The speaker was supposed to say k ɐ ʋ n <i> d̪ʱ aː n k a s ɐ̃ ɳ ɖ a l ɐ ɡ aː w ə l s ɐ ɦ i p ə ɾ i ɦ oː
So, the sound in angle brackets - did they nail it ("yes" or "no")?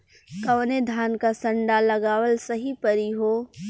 no